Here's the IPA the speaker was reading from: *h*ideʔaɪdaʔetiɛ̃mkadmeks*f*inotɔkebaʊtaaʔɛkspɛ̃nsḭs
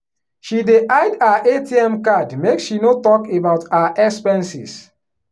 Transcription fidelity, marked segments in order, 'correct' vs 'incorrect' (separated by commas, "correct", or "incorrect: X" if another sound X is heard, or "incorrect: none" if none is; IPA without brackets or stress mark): incorrect: ʃ, incorrect: ʃ